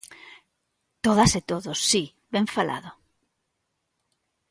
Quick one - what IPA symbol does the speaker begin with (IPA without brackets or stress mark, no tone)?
t̪